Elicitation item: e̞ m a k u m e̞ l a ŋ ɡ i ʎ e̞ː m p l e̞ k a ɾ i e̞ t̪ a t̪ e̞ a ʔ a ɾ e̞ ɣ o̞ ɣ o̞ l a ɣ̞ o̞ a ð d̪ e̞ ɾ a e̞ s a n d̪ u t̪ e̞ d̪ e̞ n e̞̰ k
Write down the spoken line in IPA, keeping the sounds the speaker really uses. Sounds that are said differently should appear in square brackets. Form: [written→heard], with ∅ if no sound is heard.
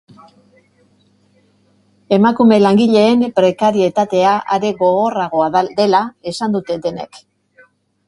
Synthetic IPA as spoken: e̞ m a k u m e̞ l a ŋ ɡ i ʎ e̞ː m p [l→ɾ] e̞ k a ɾ i e̞ t̪ a t̪ e̞ a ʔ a ɾ e̞ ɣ o̞ ɣ o̞ [l→r] a ɣ̞ o̞ a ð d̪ e̞ [ɾ→l] a e̞ s a n d̪ u t̪ e̞ d̪ e̞ n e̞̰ k